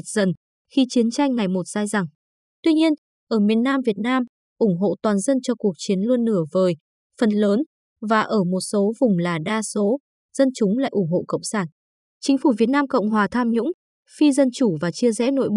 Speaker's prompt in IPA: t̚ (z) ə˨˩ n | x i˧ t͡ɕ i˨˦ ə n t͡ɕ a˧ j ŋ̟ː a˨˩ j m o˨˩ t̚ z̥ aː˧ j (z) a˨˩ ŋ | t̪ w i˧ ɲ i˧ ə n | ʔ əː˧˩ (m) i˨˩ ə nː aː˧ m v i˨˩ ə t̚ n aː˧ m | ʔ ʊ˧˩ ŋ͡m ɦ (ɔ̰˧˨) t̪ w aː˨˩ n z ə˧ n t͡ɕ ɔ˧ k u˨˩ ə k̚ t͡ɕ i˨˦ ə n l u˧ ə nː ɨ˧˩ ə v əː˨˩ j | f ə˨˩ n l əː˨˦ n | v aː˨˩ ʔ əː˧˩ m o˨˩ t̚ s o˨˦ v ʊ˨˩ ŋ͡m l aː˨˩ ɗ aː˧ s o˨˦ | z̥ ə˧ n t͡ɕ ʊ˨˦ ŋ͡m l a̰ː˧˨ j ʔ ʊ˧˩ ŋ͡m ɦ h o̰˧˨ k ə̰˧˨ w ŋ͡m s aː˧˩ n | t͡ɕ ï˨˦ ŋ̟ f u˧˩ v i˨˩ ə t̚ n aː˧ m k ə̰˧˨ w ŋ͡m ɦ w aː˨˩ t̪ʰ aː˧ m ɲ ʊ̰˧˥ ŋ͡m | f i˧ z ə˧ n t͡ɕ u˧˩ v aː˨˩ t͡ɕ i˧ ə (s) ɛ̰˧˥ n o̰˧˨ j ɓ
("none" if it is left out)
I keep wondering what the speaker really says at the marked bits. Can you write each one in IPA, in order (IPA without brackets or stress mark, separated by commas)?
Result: z, z, m, o̰˧˨, z